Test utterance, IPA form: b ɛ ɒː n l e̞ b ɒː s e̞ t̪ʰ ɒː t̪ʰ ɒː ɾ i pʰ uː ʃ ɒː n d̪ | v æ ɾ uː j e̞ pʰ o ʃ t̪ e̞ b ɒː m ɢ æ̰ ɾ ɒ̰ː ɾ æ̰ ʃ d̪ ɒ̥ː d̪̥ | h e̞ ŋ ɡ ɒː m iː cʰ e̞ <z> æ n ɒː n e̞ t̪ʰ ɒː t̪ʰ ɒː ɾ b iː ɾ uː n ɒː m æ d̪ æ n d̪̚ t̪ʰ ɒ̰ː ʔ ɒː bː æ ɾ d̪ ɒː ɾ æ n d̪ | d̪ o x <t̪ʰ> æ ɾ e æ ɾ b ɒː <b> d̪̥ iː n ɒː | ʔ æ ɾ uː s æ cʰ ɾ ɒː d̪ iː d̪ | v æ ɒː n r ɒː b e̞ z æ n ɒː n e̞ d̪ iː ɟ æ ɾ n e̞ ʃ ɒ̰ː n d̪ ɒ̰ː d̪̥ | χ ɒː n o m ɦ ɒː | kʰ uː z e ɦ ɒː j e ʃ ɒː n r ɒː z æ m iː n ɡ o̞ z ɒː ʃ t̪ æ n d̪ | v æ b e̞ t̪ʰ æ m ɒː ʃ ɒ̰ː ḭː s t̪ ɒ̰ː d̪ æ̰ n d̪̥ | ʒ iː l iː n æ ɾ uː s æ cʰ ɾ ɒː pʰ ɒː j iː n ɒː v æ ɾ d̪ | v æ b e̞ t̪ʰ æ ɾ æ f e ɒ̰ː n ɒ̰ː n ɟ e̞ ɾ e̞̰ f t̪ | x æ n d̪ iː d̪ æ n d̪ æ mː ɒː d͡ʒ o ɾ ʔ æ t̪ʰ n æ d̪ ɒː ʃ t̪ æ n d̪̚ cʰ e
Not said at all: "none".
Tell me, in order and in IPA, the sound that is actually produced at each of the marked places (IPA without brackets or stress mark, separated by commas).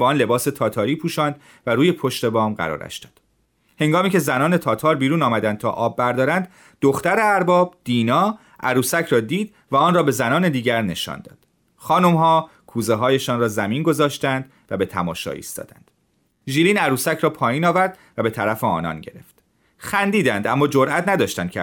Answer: z, t̪, b